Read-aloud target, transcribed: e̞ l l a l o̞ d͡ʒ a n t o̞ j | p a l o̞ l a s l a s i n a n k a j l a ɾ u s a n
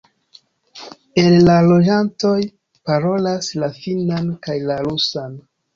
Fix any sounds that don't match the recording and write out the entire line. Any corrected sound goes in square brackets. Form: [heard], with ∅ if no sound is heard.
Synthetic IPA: e̞ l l a l o̞ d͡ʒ a n t o̞ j | p a [ɾ] o̞ l a s l a [f] i n a n k a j l a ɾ u s a n